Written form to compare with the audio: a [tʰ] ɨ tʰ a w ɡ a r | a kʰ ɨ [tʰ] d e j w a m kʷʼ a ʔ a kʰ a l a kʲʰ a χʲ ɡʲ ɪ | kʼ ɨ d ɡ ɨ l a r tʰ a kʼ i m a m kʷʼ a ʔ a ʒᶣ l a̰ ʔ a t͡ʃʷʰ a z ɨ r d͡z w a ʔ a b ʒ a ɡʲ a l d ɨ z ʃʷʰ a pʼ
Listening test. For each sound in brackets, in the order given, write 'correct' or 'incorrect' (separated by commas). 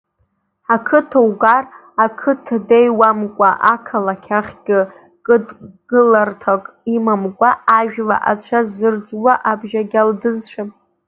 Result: incorrect, correct